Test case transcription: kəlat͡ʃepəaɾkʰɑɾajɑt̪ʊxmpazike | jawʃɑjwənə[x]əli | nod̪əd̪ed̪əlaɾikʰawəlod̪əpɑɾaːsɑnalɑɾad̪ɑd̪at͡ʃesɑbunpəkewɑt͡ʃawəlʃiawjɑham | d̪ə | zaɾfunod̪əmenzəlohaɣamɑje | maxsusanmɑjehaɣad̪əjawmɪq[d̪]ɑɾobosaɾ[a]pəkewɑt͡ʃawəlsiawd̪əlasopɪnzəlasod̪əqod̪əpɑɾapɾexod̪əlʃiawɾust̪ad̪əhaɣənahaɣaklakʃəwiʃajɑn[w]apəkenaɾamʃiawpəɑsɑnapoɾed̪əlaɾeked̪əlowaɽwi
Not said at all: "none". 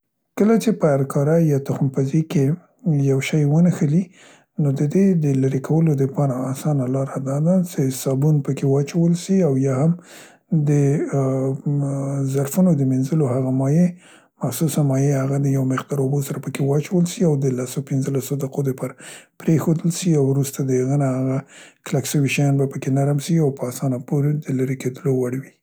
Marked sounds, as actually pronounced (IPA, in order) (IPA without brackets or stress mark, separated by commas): x, d̪, a, b